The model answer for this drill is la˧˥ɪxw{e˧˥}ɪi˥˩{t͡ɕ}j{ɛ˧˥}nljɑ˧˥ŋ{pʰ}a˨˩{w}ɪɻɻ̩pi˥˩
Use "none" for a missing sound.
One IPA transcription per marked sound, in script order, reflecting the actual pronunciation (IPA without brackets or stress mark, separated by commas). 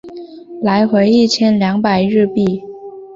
e˧˥, t͡ɕʰ, ɛ˥, p, none